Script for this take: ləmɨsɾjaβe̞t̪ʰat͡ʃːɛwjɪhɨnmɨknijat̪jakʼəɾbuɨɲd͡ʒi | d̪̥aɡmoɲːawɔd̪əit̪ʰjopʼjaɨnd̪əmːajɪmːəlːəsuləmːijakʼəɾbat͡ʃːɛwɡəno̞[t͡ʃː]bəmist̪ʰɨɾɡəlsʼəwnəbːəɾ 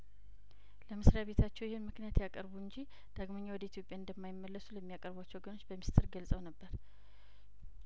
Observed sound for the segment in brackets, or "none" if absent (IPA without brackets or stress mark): t͡ʃː